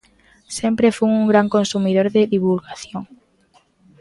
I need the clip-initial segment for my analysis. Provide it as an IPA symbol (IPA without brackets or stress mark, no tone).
s